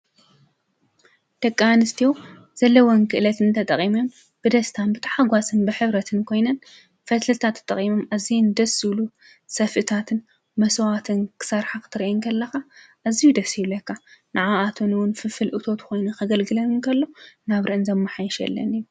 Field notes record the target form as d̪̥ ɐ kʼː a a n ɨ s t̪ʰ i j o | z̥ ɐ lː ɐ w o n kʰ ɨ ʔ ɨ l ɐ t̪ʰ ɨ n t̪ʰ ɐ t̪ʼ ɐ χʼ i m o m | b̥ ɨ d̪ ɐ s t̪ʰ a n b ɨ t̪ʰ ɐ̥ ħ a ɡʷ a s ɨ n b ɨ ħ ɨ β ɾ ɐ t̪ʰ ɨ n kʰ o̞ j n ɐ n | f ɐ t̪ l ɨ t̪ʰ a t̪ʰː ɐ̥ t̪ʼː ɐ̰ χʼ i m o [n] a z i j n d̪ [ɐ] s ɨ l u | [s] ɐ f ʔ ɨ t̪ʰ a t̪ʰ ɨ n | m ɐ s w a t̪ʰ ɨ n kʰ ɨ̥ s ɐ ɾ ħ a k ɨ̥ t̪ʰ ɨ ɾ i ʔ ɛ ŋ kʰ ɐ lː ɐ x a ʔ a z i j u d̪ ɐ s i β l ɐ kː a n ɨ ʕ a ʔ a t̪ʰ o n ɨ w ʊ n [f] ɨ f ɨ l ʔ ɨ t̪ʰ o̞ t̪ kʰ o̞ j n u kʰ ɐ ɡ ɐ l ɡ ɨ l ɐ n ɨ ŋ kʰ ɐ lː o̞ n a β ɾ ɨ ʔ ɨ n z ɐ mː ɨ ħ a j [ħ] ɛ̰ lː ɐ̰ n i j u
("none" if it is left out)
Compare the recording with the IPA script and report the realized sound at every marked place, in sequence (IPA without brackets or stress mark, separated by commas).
m, ɐ, s, f, ʃ